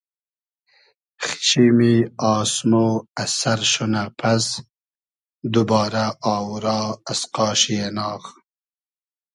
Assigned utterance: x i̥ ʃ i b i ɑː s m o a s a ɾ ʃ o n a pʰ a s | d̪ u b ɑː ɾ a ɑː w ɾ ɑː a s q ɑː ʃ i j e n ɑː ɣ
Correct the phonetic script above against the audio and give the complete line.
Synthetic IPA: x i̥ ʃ i m i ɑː s m o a s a ɾ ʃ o n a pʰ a s | d̪ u b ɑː ɾ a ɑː w ɾ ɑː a s q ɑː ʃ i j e n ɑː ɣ